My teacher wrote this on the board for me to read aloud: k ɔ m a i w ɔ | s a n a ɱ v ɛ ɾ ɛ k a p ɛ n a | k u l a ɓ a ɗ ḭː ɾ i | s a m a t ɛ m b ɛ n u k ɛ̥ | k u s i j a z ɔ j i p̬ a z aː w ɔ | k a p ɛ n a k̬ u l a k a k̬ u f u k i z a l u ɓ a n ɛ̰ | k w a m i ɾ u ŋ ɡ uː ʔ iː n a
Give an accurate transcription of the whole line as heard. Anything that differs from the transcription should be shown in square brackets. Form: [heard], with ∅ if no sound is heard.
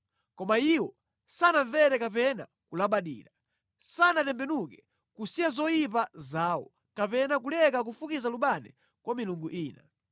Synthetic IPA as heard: k ɔ m a i w ɔ | s a n a ɱ v ɛ ɾ ɛ k a p ɛ n a | k u l a ɓ a ɗ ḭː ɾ [a] | s a [n] a t ɛ m b ɛ n u k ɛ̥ | k u s i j a z ɔ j i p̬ a z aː w ɔ | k a p ɛ n a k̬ u l [ɛ] k a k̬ u f u k i z a l u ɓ a n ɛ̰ | k w a m i [l] u ŋ ɡ [u] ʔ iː n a